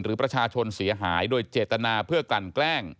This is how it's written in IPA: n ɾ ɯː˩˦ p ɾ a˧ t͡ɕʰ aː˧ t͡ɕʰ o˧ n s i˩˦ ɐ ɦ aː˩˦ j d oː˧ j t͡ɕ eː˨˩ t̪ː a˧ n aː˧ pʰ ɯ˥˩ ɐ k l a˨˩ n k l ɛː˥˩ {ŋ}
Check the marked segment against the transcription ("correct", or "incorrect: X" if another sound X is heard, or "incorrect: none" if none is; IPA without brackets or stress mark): correct